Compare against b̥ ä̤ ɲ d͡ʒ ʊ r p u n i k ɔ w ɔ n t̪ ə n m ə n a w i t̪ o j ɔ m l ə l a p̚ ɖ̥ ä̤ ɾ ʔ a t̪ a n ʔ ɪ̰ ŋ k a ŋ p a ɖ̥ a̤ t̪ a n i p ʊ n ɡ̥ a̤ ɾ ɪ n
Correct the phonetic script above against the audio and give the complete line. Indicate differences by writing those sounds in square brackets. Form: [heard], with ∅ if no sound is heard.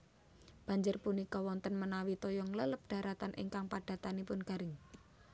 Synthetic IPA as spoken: b̥ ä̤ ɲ d͡ʒ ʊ r p u n i k ɔ w ɔ n t̪ ə n m ə n a w i t̪ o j ɔ [ŋ] l ə l [ə] p̚ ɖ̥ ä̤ ɾ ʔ a t̪ a n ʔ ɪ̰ ŋ k a ŋ p a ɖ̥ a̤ t̪ a n i p ʊ n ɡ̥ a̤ ɾ ɪ [ŋ]